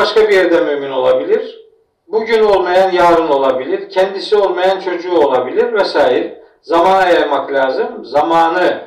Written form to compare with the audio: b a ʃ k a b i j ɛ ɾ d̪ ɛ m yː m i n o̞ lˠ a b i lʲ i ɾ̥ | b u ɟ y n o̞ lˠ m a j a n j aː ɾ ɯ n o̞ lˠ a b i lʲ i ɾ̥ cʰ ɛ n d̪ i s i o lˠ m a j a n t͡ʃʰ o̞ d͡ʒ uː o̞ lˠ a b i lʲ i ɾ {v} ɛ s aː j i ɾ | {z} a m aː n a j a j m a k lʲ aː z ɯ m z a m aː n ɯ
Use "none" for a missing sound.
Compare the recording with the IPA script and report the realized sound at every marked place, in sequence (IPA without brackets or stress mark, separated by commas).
v, z